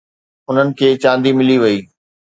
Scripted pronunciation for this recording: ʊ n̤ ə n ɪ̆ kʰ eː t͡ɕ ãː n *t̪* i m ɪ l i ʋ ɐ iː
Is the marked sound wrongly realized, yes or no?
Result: yes